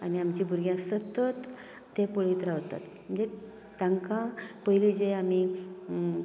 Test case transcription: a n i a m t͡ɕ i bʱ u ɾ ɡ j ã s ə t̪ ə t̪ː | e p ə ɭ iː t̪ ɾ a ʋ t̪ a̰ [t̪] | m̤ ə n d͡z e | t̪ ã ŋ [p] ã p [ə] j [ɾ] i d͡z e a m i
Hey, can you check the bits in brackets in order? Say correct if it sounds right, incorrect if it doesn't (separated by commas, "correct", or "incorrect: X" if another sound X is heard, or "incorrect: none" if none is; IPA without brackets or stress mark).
correct, incorrect: k, correct, incorrect: l